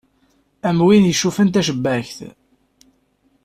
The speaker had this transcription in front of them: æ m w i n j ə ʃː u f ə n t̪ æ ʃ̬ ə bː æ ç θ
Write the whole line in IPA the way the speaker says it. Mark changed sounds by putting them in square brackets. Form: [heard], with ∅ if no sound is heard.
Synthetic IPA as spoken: æ m w i n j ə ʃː u f ə n t̪ æ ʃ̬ ə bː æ ç θ